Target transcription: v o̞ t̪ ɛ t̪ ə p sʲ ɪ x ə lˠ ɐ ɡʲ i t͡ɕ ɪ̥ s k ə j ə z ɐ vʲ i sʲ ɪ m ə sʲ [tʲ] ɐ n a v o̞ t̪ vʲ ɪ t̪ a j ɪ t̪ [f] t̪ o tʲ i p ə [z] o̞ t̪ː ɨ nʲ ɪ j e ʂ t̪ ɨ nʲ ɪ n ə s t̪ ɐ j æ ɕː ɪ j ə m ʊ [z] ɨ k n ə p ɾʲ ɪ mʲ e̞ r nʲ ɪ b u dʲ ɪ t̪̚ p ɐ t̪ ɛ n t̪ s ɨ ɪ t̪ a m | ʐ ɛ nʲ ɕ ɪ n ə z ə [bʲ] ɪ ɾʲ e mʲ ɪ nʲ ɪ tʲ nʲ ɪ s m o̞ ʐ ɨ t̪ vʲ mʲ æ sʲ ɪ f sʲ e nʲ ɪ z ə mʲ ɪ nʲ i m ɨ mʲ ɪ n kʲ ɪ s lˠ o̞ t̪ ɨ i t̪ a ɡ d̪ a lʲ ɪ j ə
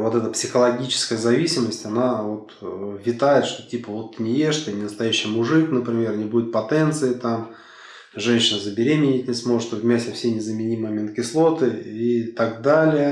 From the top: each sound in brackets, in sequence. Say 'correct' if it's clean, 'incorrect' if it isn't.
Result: correct, incorrect: ʂ, incorrect: v, incorrect: ʐ, correct

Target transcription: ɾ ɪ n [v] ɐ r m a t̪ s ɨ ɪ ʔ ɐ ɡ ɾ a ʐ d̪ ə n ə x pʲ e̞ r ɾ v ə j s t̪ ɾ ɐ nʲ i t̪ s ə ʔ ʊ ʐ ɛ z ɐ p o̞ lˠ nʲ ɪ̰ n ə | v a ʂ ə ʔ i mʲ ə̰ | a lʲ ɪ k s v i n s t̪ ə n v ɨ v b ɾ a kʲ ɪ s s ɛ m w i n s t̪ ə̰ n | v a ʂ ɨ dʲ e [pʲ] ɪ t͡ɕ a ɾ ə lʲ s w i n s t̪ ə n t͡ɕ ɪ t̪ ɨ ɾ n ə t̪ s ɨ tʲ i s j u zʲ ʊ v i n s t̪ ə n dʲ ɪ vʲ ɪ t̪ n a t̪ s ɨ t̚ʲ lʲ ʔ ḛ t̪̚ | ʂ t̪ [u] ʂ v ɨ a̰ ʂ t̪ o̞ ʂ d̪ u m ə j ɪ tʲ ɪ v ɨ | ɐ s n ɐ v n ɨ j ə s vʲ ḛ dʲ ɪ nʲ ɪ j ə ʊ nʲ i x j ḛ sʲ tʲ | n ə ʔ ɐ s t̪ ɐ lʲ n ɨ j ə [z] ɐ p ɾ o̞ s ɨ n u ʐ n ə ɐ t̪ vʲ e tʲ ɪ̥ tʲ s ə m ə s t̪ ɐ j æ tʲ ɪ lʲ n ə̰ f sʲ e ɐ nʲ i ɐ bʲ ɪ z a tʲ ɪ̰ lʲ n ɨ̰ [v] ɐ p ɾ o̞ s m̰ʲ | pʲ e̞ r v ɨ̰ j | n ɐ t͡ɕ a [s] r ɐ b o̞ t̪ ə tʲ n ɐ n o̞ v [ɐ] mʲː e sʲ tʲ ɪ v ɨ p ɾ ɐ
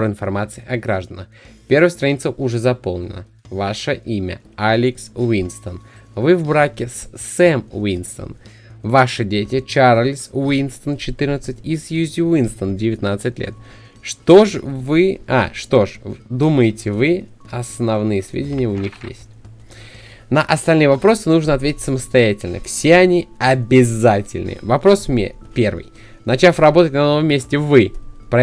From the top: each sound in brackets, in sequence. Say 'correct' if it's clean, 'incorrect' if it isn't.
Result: incorrect: f, incorrect: tʲ, incorrect: o, incorrect: v, correct, incorrect: f, incorrect: ə

